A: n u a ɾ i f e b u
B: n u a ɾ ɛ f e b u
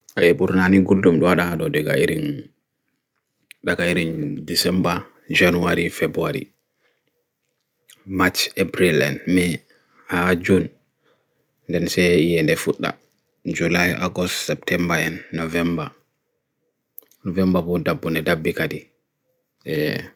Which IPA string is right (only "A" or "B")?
A